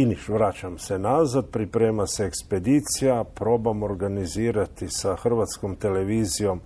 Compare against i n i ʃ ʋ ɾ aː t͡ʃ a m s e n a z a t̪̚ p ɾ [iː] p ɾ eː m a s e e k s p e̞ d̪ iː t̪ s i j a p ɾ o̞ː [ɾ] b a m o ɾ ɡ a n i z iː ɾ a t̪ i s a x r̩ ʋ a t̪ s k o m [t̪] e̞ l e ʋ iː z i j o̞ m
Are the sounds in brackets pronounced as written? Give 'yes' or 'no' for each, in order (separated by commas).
no, no, yes